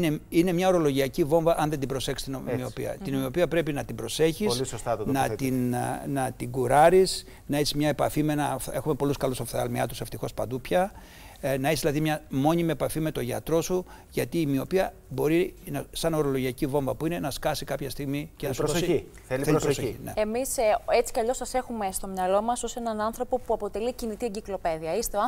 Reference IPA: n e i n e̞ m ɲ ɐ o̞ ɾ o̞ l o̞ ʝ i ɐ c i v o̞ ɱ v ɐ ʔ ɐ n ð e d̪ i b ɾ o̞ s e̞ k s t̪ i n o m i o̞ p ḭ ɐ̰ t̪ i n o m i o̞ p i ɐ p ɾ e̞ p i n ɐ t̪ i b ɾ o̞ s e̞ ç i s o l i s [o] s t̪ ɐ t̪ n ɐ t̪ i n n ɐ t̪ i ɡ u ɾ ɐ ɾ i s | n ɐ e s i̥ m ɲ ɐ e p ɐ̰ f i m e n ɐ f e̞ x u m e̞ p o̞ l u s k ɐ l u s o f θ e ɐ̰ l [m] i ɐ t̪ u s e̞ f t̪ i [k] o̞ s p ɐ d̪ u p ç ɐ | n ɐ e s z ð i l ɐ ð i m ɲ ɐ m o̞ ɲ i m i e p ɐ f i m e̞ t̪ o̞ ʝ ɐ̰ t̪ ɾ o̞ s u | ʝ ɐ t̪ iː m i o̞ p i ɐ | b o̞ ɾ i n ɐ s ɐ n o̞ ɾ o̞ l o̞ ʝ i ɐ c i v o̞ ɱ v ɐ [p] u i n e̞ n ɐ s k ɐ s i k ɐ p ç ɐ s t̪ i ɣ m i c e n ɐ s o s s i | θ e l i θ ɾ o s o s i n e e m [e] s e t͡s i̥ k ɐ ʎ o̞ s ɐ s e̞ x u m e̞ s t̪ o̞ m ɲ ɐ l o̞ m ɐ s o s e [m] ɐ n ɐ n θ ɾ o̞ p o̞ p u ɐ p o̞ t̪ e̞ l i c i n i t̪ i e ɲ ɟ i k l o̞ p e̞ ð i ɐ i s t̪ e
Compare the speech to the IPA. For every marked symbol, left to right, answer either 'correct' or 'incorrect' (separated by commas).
correct, correct, incorrect, correct, incorrect, incorrect